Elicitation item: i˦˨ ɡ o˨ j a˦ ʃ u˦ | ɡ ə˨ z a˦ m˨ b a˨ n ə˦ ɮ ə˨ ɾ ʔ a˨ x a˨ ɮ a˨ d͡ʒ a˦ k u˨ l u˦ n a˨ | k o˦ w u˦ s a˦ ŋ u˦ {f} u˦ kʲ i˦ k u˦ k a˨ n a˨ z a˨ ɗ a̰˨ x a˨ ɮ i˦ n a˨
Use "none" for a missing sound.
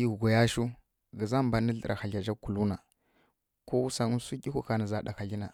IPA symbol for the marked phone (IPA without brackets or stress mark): s